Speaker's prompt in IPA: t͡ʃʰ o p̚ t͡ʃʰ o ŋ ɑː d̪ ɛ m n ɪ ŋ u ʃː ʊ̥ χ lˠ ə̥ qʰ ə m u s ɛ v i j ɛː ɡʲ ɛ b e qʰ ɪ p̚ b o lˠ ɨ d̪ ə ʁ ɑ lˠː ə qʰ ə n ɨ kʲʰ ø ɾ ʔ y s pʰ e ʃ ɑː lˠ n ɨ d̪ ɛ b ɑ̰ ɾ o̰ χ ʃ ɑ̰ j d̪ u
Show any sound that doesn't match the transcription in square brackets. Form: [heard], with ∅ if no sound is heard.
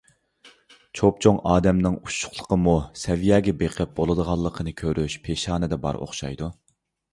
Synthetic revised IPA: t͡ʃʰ o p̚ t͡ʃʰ o ŋ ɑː d̪ ɛ m n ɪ ŋ u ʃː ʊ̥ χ lˠ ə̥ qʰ ə m u s ɛ v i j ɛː ɡʲ ɛ b e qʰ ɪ p̚ b o lˠ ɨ d̪ ə ʁ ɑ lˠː ə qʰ ə n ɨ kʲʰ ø ɾ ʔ y [ʃ] pʰ e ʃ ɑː [∅] n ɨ d̪ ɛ b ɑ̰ ɾ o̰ χ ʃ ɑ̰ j d̪ u